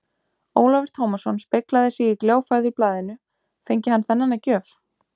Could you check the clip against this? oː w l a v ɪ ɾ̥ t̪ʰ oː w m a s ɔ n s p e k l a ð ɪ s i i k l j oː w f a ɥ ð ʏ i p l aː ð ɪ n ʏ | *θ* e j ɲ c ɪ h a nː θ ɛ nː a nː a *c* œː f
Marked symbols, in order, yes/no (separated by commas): no, yes